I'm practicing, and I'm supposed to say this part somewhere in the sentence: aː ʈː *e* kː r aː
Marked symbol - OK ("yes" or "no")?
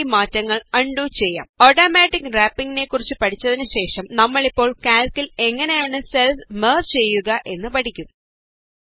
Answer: no